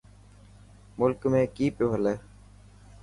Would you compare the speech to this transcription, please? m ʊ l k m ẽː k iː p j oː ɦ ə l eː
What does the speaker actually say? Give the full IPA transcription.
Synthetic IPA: m ʊ l k m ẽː k iː p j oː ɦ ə l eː